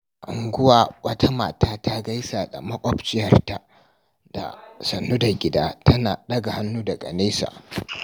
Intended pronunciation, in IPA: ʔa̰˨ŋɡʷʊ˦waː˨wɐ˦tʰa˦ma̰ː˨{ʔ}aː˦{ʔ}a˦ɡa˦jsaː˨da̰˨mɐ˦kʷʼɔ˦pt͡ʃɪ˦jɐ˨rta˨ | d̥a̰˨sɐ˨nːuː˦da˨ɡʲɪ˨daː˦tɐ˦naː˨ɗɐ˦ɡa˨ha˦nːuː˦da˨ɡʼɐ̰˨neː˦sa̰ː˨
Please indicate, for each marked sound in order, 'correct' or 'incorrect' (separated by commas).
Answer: incorrect, incorrect